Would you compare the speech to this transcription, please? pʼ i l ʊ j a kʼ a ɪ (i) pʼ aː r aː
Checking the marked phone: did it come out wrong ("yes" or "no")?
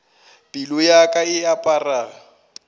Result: yes